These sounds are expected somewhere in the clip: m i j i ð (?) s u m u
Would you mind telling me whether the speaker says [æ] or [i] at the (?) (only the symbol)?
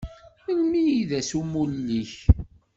æ